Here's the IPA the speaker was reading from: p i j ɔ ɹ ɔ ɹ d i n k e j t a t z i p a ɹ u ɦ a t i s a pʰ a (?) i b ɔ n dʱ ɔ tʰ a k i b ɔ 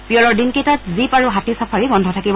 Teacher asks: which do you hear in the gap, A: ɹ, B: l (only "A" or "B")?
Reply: A